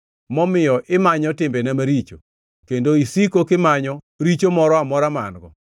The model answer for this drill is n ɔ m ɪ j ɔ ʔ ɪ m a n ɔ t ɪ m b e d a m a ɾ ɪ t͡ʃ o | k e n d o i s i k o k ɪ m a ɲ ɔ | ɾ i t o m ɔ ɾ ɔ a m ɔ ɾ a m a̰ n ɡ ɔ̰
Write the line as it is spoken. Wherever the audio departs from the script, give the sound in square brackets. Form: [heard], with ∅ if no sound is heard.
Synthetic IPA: [m] ɔ m ɪ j ɔ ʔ ɪ m a [ɲ] ɔ t ɪ m b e [n] a m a ɾ [i] t͡ʃ o | k e n d o i s i k o k ɪ m a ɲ ɔ | ɾ i [t͡ʃ] o m ɔ ɾ ɔ a m ɔ ɾ a m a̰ n ɡ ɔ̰